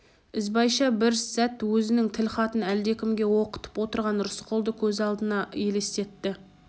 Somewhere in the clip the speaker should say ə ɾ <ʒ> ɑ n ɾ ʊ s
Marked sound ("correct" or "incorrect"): incorrect